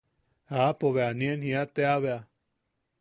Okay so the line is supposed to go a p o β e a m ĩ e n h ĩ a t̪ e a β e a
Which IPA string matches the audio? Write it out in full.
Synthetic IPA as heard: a p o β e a n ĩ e n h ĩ a t̪ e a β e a

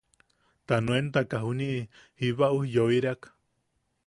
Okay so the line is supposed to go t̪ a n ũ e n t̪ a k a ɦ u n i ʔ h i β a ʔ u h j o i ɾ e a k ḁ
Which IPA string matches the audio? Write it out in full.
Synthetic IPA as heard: t̪ a n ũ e n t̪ a k a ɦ u n i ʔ h i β a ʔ u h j o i ɾ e a k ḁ

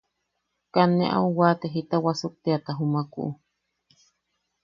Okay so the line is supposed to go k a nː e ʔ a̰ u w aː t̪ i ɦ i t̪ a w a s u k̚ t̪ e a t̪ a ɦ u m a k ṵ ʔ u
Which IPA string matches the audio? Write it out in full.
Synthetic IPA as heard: k a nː e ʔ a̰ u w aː t̪ e ɦ i t̪ a w a s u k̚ t̪ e a t̪ a ɦ u m a k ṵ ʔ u

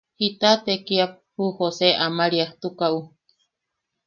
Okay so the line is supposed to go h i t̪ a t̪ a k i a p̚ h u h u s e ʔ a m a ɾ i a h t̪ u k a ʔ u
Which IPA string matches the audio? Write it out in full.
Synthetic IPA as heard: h i t̪ a t̪ e k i a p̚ h u h o s e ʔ a m a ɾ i a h t̪ u k a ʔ u

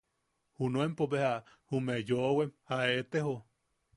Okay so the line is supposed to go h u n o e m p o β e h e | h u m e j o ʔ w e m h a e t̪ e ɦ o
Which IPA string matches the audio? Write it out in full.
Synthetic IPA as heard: h u n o e m p o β e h a | h u m e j o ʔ w e m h a e t̪ e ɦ o

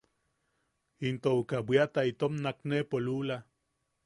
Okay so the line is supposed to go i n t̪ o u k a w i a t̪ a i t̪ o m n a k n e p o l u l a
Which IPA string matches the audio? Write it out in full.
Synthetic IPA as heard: i n t̪ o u k a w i a t̪ a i t̪ o m n a k n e p o l u l a

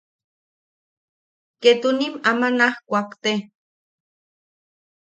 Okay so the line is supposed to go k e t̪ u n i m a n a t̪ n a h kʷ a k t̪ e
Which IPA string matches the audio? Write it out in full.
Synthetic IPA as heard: k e t̪ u n i m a m a n a h kʷ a k t̪ e

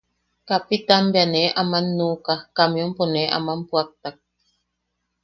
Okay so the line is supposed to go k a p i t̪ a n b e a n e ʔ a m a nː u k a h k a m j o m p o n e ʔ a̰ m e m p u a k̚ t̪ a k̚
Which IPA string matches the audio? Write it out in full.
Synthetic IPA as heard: k a p i t̪ a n b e a n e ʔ a m a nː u k a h k a m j o m p o n e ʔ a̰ m a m p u a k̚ t̪ a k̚

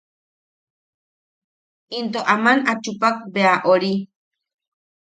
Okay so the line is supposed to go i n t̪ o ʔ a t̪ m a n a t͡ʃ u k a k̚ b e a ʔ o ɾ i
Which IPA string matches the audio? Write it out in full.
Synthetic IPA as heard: i n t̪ o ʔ a m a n a t͡ʃ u p a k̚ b e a ʔ o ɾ i

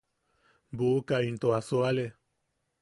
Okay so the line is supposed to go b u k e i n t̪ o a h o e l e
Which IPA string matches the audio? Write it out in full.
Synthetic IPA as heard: b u k a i n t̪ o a s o a l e

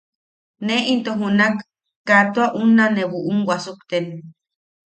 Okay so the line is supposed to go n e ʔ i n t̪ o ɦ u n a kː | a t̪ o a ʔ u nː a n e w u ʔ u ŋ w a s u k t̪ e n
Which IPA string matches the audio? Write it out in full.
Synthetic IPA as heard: n e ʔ i n t̪ o ɦ u n a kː | a t̪ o a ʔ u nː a n e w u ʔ u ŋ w a s u k t̪ e n

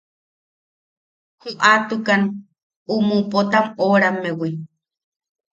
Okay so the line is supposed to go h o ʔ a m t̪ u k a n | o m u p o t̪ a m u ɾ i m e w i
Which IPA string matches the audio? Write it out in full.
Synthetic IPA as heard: h u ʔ a t̪ u k a n | u m u p o t̪ a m o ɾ a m e w i

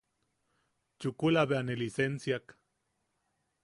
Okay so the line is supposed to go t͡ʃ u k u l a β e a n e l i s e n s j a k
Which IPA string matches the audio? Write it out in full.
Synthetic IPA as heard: t͡ʃ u k u l a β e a n e l i s e n s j a k

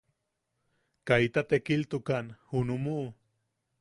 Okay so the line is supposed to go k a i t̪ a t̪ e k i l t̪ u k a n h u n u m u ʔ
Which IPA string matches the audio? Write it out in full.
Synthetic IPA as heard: k a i t̪ a t̪ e k i l t̪ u k a n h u n u m u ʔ

